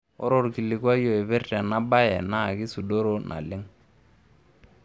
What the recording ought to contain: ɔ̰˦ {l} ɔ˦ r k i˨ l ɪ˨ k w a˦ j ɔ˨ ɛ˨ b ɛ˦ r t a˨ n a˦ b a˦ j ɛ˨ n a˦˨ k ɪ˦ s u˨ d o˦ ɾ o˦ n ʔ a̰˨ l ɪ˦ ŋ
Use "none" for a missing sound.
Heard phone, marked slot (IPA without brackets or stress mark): ɾ